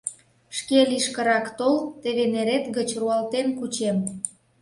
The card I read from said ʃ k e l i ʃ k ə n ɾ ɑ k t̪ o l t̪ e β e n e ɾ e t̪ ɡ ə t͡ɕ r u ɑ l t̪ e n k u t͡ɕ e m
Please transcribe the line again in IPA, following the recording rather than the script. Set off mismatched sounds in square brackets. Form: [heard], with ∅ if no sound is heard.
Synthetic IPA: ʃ k e l i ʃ k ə [∅] ɾ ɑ k t̪ o l t̪ e β e n e ɾ e t̪ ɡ ə t͡ɕ r u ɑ l t̪ e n k u t͡ɕ e m